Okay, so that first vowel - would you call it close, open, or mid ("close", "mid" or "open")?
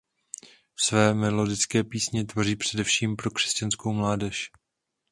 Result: mid